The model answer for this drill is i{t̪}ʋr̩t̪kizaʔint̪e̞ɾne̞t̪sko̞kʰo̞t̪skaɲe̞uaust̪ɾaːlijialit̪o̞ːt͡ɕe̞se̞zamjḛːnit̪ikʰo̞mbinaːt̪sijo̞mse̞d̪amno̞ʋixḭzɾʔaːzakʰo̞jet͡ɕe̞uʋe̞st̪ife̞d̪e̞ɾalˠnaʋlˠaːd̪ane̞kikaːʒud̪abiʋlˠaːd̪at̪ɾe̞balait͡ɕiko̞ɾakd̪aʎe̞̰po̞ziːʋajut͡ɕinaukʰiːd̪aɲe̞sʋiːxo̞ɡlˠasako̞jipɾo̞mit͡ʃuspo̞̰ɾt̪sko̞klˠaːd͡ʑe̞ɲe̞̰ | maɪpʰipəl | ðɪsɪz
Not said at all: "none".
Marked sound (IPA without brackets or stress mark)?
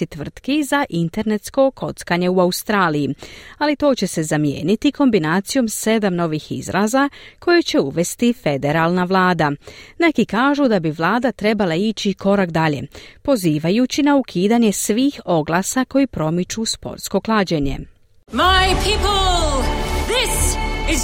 t̪